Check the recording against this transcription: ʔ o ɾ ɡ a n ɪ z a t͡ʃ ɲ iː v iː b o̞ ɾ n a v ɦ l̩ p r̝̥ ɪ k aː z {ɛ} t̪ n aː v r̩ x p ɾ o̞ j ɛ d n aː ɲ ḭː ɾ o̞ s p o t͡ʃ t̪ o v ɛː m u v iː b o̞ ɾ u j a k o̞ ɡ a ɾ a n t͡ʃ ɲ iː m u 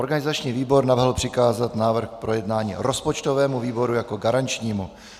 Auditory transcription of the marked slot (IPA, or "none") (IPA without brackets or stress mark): a